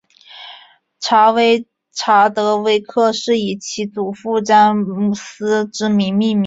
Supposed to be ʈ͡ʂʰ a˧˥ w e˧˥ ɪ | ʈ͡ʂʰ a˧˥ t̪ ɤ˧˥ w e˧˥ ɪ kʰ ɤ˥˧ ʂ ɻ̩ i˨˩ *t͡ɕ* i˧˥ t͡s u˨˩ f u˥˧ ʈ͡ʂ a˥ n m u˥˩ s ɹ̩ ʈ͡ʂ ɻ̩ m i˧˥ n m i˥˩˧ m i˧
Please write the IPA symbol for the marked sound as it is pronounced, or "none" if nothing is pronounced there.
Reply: t͡ɕʰ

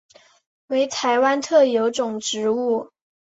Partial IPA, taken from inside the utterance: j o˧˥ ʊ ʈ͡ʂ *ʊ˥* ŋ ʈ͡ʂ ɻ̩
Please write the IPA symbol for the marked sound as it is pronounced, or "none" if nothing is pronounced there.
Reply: ʊ˨˩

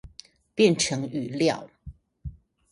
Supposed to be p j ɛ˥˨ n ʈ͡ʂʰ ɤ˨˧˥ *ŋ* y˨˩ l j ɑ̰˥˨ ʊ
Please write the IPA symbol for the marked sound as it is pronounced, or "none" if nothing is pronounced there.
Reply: ŋ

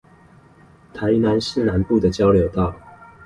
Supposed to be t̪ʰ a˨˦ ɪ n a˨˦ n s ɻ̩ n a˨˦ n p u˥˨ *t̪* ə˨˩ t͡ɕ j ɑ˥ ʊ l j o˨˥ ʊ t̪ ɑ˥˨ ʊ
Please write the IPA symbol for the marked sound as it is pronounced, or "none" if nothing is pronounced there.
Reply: d̪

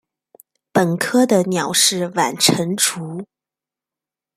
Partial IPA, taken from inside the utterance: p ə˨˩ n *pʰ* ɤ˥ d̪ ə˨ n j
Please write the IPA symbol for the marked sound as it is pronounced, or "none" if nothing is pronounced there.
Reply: kʰ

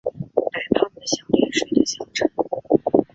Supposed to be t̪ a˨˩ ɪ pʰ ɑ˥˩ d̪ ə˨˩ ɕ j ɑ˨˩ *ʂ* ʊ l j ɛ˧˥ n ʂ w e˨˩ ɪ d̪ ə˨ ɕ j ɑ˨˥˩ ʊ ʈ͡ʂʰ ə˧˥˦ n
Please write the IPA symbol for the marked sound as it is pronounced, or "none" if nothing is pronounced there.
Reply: none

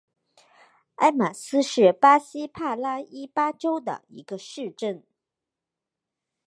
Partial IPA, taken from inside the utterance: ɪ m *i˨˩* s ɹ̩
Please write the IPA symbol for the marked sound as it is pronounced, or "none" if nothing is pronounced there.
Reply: a˨˩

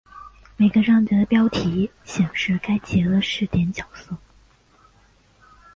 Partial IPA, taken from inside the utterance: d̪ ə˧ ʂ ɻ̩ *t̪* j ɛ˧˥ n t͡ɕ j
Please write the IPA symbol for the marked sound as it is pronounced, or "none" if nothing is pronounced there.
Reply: t̪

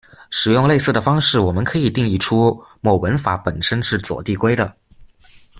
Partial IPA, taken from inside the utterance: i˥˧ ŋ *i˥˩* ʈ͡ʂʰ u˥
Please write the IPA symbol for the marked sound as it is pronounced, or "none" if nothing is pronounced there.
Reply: i˥˩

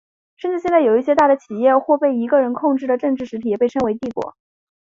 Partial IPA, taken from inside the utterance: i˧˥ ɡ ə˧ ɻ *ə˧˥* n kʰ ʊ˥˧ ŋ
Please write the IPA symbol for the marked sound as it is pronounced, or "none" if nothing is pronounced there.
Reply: ə˧˥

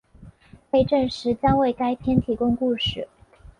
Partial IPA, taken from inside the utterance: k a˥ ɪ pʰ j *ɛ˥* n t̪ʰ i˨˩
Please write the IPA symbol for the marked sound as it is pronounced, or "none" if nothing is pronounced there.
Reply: ɛ˥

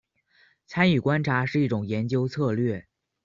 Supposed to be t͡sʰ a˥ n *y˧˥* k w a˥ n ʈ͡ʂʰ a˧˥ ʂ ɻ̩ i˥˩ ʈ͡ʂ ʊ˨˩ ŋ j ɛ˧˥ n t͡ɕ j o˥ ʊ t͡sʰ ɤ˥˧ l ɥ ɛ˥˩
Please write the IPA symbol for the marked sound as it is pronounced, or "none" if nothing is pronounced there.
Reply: y˨˩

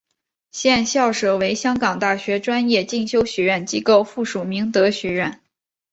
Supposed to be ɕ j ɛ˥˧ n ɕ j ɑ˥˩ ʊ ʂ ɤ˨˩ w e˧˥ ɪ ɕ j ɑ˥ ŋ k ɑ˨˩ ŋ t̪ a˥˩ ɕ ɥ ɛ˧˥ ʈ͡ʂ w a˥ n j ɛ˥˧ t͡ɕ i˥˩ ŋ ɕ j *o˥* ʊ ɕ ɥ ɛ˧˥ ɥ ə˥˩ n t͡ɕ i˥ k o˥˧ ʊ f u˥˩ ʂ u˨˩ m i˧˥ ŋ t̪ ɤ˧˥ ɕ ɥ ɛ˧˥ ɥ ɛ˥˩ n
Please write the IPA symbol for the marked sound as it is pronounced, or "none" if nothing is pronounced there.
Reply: o˥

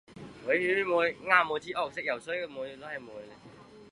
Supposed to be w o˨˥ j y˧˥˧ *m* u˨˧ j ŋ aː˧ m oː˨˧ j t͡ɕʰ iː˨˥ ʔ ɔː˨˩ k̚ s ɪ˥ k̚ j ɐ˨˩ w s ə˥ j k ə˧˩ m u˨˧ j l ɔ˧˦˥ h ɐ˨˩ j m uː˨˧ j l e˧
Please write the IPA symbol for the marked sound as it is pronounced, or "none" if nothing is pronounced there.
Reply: m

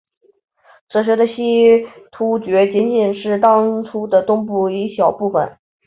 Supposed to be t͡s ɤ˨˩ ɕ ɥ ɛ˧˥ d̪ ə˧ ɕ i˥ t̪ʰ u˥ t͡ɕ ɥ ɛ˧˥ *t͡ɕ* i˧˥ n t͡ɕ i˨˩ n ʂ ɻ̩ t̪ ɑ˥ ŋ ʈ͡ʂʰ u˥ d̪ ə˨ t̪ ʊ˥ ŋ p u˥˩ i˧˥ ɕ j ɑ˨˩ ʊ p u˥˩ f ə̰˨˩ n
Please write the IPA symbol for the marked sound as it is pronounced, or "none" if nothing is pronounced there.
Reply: t͡ɕ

